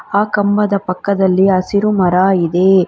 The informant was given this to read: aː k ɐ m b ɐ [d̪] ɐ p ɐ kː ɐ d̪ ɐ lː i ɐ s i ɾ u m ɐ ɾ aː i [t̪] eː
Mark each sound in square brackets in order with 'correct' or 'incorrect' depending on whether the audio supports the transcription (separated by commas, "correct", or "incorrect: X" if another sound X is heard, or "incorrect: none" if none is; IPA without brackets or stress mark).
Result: correct, incorrect: d̪